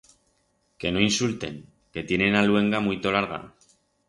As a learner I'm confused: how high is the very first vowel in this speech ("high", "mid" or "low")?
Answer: mid